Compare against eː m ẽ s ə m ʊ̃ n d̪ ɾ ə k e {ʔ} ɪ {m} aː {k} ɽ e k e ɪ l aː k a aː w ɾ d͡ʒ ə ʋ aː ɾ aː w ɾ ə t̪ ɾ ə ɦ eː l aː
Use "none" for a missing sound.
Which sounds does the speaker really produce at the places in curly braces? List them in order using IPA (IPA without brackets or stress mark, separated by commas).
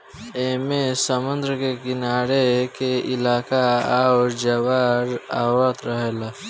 k, n, none